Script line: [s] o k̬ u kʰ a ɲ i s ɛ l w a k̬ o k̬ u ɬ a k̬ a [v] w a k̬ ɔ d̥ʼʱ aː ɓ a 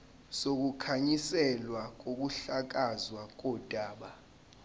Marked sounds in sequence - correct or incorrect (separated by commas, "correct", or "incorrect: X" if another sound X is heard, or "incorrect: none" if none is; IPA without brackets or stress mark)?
correct, incorrect: z